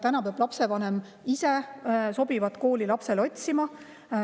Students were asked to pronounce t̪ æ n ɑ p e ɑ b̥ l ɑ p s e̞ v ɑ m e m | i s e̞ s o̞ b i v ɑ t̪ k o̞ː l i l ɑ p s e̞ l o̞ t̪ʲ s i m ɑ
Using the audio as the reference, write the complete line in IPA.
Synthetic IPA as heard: t̪ æ n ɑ p e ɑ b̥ l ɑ p s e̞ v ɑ n e m | i s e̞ s o̞ b i v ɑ t̪ k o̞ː l i l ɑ p s e̞ l o̞ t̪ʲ s i m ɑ